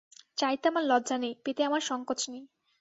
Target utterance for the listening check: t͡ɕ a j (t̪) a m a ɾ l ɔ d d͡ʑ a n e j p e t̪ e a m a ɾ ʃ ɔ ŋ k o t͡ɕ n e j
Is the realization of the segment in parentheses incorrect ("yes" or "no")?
no